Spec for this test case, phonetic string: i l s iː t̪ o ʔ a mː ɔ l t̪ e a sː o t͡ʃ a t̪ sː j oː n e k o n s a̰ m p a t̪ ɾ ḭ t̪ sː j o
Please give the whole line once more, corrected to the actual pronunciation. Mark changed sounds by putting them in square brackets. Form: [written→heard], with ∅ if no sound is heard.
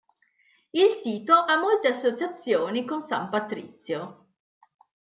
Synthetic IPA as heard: i l s iː t̪ o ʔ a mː [ɔ→o] l t̪ e a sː o t͡ʃ a t̪ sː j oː n [e→i] k o n s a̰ m p a t̪ ɾ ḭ t̪ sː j o